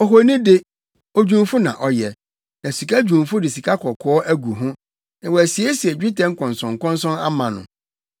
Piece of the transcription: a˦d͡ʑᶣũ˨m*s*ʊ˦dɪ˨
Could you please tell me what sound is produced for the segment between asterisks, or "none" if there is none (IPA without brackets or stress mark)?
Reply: f